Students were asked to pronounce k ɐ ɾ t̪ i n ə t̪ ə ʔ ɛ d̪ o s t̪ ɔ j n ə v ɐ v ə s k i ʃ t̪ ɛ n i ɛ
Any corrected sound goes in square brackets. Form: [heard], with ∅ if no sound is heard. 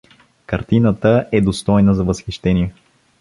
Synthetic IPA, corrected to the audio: k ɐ ɾ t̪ i n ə t̪ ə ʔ ɛ d̪ o s t̪ ɔ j n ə [z] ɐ v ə s [x] i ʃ t̪ ɛ n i ɛ